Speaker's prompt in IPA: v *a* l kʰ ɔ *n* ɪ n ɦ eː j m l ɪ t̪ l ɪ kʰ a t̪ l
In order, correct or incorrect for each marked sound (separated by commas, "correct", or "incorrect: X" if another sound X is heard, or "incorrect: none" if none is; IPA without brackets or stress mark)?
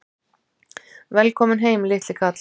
incorrect: ɛ, incorrect: m